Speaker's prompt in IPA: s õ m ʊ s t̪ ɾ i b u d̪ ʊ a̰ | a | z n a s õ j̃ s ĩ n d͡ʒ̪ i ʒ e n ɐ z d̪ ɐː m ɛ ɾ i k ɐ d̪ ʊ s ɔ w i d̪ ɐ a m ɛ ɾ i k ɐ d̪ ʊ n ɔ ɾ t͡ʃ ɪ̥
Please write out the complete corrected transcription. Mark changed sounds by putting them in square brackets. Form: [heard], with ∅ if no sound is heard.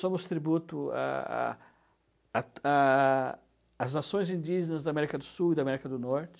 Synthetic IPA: s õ m ʊ s t̪ ɾ i b u [t̪] ʊ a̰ | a | z n a s õ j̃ [z] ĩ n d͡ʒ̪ i ʒ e n ɐ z d̪ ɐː m ɛ ɾ i k ɐ d̪ ʊ s [u] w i d̪ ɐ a m ɛ ɾ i k ɐ d̪ ʊ n ɔ ɾ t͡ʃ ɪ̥

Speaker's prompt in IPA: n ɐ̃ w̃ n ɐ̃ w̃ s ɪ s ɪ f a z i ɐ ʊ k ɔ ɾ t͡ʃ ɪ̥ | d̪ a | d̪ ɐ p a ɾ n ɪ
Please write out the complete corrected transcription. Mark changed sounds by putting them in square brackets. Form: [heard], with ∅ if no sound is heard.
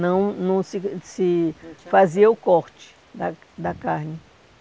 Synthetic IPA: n ɐ̃ w̃ n ɐ̃ w̃ s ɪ s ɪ f a z i ɐ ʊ k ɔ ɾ t͡ʃ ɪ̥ | d̪ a | d̪ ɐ [k] a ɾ n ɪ

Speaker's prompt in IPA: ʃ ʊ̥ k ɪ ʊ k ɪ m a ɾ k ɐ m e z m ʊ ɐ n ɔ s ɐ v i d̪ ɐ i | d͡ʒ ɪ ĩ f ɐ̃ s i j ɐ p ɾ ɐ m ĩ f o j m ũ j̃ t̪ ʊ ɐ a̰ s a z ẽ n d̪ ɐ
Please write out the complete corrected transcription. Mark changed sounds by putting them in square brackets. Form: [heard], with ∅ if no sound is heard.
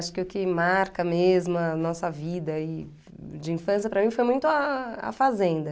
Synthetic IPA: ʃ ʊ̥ k ɪ ʊ k ɪ m a ɾ k ɐ m e z m ʊ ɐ n ɔ s ɐ v i d̪ ɐ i | d͡ʒ ɪ ĩ f ɐ̃ s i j ɐ p ɾ ɐ m ĩ f o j m ũ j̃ t̪ ʊ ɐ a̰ [f] a z ẽ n d̪ ɐ

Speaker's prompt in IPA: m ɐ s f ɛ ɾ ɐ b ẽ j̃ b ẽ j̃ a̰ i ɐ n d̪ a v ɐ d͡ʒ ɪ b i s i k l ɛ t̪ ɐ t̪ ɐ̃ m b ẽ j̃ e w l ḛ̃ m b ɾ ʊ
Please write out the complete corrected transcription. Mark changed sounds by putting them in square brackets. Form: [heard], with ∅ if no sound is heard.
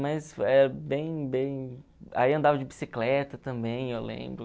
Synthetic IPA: m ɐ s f ɛ ɾ ɐ b ẽ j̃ b ẽ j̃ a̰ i [ɐ̃] n d̪ a v ɐ d͡ʒ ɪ b i s i k l ɛ t̪ ɐ t̪ ɐ̃ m b ẽ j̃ e w l ḛ̃ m b ɾ ʊ

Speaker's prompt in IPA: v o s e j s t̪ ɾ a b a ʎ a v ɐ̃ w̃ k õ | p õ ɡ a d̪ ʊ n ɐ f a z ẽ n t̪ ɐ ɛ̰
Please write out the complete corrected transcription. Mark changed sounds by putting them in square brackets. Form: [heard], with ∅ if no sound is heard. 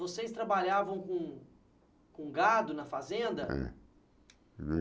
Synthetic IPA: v o s e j s t̪ ɾ a b a ʎ a v ɐ̃ w̃ k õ | [k] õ ɡ a d̪ ʊ n ɐ f a z ẽ n [d̪] ɐ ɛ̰

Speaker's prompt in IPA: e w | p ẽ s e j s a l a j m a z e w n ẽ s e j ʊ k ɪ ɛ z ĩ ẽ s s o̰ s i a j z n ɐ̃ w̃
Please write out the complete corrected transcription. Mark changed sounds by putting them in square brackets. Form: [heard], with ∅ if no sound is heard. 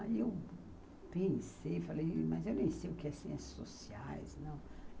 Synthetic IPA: e w | p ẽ s e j [f] a l [e] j m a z e w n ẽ s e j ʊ k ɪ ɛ [s] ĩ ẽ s s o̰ s i a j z n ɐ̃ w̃

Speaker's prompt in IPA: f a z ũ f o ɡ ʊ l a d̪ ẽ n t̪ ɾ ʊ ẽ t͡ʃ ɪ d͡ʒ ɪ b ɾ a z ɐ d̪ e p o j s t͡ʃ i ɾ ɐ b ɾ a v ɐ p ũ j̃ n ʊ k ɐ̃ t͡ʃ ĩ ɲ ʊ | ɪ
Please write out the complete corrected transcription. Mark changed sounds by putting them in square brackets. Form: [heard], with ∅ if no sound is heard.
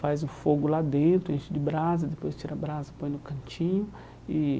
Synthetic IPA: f a z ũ f o ɡ ʊ l a d̪ ẽ n t̪ ɾ ʊ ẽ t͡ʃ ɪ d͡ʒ ɪ b ɾ a z ɐ d̪ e p o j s t͡ʃ i ɾ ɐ b ɾ a [z] ɐ p [õ] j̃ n ʊ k ɐ̃ t͡ʃ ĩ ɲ ʊ | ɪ

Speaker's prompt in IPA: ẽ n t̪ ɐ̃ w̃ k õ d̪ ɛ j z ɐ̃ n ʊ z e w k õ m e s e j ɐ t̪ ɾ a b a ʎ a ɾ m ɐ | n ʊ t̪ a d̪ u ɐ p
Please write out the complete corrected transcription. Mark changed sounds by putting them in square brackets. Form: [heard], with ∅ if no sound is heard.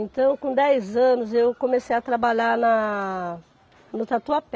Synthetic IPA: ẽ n t̪ ɐ̃ w̃ k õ d̪ ɛ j z ɐ̃ n ʊ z e w k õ m e s e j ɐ t̪ ɾ a b a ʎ a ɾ [n] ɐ | n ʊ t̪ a [t̪] u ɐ p

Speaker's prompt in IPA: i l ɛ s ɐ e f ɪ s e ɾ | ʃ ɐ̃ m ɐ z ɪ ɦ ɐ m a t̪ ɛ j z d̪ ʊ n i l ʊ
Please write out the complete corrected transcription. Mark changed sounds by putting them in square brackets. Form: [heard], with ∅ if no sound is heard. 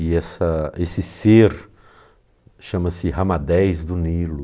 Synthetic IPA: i [∅] ɛ s ɐ e [s] ɪ s e ɾ | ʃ ɐ̃ m ɐ [s] ɪ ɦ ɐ m a [d̪] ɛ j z d̪ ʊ n i l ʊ

